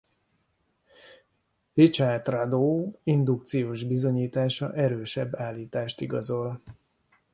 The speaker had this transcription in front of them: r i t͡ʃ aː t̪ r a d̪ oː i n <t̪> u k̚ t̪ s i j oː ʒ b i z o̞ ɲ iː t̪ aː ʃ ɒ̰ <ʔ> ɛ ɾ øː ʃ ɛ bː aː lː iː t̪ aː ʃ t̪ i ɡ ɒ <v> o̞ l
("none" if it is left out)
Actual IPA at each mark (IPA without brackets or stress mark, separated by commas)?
d̪, ʔ, z